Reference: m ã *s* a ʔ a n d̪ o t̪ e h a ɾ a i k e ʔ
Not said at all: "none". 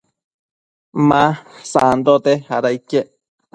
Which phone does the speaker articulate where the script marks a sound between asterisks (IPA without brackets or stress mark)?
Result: s